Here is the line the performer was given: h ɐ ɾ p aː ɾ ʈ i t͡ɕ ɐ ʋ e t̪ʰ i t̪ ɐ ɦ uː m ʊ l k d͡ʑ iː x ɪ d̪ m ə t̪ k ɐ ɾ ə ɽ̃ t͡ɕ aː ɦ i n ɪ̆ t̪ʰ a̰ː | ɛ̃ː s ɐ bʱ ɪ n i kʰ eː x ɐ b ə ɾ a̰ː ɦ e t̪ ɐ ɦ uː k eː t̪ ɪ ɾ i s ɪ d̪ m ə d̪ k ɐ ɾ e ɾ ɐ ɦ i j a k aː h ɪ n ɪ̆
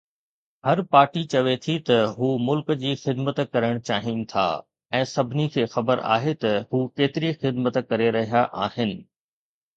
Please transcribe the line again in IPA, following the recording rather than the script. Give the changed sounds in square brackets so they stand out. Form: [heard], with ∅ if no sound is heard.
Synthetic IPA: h ɐ ɾ p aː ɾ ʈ i t͡ɕ ɐ ʋ e t̪ʰ i t̪ ɐ ɦ uː m ʊ l k d͡ʑ iː x ɪ d̪ m ə t̪ k ɐ ɾ ə ɽ̃ t͡ɕ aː ɦ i n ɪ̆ t̪ʰ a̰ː | ɛ̃ː s ɐ bʱ ɪ n i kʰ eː x ɐ b ə ɾ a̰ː ɦ e t̪ ɐ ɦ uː k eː t̪ ɪ ɾ i [x] ɪ d̪ m ə [t̪] k ɐ ɾ e ɾ ɐ ɦ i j a [ʔ] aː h ɪ n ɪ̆